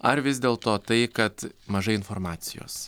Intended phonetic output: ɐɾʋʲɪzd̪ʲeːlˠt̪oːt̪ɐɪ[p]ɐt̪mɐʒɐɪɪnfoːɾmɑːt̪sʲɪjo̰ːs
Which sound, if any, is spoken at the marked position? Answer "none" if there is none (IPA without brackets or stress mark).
k